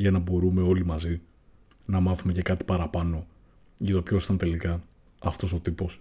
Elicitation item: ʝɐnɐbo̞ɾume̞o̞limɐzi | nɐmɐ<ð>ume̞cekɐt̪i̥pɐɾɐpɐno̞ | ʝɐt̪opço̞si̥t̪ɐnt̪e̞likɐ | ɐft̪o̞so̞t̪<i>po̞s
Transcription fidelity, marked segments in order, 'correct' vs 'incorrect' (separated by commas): incorrect, correct